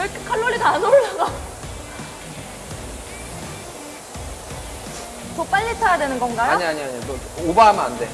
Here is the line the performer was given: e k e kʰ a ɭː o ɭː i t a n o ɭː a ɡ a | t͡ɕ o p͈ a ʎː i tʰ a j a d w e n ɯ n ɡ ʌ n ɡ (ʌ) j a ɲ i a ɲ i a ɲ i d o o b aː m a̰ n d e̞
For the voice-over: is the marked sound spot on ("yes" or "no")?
no